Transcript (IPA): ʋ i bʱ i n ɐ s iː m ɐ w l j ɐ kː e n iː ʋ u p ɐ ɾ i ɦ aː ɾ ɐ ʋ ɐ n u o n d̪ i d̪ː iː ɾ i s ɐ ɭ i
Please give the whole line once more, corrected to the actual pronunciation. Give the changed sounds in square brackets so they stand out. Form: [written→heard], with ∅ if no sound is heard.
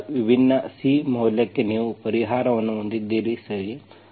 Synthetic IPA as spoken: ʋ i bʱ i [n→nː] ɐ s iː m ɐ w l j ɐ kː e n iː ʋ u p ɐ ɾ i ɦ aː ɾ ɐ ʋ ɐ [n→nː] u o n d̪ i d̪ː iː ɾ i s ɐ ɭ i